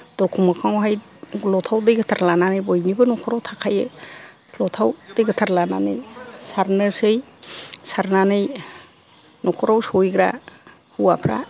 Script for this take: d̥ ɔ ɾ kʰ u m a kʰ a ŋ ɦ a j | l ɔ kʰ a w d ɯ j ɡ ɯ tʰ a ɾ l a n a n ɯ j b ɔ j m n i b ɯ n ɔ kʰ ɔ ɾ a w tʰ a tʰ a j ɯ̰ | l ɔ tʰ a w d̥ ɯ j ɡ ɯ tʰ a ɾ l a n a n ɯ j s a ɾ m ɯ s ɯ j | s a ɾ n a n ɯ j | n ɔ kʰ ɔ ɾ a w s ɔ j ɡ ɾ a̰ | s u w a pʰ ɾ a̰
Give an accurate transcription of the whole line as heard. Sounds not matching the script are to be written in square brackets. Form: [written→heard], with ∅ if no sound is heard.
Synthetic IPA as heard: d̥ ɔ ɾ kʰ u m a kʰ a ŋ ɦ a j | l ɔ [kʰ→tʰ] a w d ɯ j ɡ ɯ tʰ a ɾ l a n a n ɯ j b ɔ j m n i b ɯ n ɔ kʰ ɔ ɾ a w tʰ a [tʰ→kʰ] a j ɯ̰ | l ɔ tʰ a w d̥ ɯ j ɡ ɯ tʰ a ɾ l a n a n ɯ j s a ɾ [m→n] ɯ s ɯ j | s a ɾ n a n ɯ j | n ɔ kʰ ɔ ɾ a w s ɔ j ɡ ɾ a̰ | [s→h] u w a pʰ ɾ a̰